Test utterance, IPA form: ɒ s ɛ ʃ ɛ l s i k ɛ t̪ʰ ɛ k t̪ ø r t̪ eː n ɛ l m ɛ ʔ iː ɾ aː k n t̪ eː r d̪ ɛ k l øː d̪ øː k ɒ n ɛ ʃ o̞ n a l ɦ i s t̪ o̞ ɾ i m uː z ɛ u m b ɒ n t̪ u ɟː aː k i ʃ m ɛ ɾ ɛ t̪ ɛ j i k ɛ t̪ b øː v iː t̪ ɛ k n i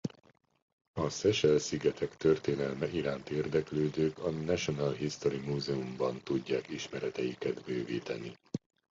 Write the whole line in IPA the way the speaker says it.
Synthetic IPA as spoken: ɒ s ɛ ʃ ɛ l s i ɡ ɛ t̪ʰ ɛ k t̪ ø r t̪ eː n ɛ l m ɛ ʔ i ɾ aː n t̪ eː r d̪ ɛ k l øː d̪ øː k ɒ n ɛ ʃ o̞ n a l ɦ i s t̪ o̞ ɾ i m uː z ɛ u m b ɒ n t̪ u ɟː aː k i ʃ m ɛ ɾ ɛ t̪ ɛ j i k ɛ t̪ b øː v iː t̪ ɛ n i